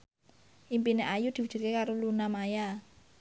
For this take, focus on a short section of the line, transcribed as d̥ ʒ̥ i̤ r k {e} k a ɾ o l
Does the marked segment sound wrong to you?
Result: no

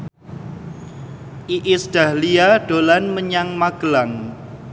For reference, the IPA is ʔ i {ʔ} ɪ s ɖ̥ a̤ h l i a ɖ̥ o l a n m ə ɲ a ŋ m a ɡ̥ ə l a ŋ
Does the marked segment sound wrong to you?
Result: no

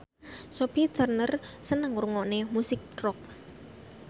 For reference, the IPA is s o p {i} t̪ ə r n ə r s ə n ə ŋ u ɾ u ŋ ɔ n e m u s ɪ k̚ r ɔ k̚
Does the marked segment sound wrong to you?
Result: no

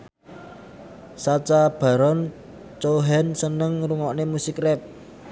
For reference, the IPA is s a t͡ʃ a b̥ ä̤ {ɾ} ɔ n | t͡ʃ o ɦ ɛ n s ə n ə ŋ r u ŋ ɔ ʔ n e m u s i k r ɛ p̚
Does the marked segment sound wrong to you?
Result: no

